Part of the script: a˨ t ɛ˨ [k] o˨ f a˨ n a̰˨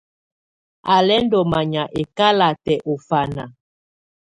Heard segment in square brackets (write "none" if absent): ʔ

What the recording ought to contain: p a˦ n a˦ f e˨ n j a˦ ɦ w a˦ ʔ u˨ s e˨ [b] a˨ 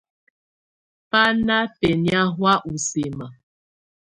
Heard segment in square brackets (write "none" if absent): m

